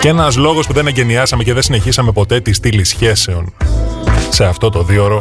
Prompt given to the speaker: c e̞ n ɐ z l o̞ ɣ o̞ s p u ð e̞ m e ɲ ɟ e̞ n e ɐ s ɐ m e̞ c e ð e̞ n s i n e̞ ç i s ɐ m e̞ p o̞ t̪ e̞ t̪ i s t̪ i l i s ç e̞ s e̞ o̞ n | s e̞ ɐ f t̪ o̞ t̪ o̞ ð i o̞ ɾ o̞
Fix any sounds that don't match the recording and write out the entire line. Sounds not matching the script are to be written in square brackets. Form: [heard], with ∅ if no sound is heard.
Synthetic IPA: c e̞ n ɐ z l o̞ ɣ o̞ s p u ð e̞ [n] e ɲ ɟ e̞ n [i] ɐ s ɐ m e̞ c e ð e̞ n s i n e̞ ç i s ɐ m e̞ p o̞ t̪ e̞ t̪ i s t̪ i l i s ç e̞ s e̞ o̞ n | s e̞ ɐ f t̪ o̞ t̪ o̞ ð i o̞ ɾ o̞